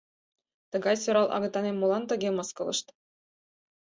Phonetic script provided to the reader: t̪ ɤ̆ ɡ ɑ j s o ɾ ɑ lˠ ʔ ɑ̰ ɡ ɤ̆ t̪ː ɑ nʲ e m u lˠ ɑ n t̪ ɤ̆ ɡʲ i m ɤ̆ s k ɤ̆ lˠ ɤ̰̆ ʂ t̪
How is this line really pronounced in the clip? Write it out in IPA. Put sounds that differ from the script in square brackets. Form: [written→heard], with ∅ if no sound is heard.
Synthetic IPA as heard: t̪ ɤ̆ ɡ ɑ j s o ɾ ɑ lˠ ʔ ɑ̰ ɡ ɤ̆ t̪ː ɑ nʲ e m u lˠ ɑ n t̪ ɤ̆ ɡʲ [i→e] m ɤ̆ s k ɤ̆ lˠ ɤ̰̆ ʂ t̪

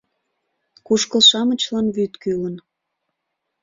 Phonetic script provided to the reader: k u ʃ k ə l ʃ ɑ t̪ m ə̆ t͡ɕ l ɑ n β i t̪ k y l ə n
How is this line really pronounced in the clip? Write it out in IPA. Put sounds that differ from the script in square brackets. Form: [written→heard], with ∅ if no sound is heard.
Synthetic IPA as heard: k u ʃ k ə l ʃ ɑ [t̪→∅] m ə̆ t͡ɕ l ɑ n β [i→y] t̪ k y l ə n

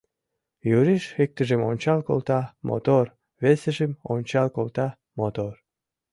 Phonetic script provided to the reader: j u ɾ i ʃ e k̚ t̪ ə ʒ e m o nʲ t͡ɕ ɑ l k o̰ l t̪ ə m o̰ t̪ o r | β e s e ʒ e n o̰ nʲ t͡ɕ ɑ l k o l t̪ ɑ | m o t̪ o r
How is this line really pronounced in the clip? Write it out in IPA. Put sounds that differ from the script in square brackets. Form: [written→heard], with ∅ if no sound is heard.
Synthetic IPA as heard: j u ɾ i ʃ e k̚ t̪ ə ʒ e m o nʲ t͡ɕ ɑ l k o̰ l t̪ [ə→ɑ] m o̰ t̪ o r | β e s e ʒ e [n→m] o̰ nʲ t͡ɕ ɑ l k o l t̪ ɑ | m o t̪ o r

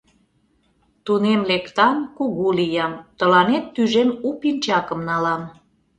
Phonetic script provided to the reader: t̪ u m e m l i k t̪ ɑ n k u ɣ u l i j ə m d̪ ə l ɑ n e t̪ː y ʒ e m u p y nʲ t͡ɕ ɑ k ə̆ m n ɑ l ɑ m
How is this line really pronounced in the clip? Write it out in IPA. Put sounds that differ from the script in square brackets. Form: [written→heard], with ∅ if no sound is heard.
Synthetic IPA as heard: t̪ u [m→n] e m l [i→e] k t̪ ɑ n k u ɣ u l i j [ə→ɑ] m [d̪→t̪] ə l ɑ n e t̪ː y ʒ e m u p [y→i] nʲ t͡ɕ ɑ k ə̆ m n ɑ l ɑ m

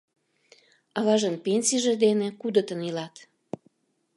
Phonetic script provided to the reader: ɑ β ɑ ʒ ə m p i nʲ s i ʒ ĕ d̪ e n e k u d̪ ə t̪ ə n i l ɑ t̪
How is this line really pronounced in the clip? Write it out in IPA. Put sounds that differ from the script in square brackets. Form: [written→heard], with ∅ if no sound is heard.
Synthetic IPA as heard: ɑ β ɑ ʒ ə [m→n] p [i→e] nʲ s i ʒ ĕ d̪ e n e k u d̪ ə t̪ ə n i l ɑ t̪

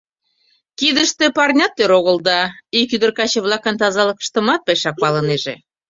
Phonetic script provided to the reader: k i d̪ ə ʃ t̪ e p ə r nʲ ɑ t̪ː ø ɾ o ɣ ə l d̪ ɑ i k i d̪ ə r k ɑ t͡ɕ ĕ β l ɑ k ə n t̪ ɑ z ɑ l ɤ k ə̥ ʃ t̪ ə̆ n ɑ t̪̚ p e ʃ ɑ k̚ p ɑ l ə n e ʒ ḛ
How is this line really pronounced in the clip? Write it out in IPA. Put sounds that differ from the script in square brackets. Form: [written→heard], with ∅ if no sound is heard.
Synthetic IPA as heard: k i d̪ ə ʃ t̪ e p [ə→ɑ] r nʲ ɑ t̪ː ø ɾ o ɣ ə l d̪ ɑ i k [i→y] d̪ ə r k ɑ t͡ɕ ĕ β l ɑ k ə n t̪ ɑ z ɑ l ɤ k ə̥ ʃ t̪ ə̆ [n→m] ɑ t̪̚ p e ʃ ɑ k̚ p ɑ l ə n e ʒ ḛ

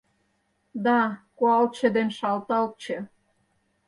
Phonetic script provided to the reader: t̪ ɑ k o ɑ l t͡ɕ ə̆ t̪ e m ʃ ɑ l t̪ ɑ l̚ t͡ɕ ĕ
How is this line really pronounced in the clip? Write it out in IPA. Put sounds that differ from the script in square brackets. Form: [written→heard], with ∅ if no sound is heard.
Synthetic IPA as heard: [t̪→d̪] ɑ k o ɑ l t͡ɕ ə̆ [t̪→d̪] e [m→n] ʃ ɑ l t̪ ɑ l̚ t͡ɕ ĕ

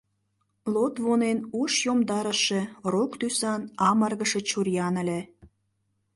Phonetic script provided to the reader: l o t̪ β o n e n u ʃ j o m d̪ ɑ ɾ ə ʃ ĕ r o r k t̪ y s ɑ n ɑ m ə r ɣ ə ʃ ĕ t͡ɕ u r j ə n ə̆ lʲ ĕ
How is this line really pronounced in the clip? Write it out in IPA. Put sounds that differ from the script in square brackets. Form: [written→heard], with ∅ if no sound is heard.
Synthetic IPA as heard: l o t̪ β o n e n u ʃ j o m d̪ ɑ ɾ ə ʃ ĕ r o [r→∅] k t̪ y s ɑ n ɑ m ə r ɣ ə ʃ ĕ t͡ɕ u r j [ə→ɑ] n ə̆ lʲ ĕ

